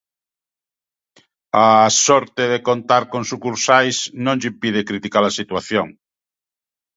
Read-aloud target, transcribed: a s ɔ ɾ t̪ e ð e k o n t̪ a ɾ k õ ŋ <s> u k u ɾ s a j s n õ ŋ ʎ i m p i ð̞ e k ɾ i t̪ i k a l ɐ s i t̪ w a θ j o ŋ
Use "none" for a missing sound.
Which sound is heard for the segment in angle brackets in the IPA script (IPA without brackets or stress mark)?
s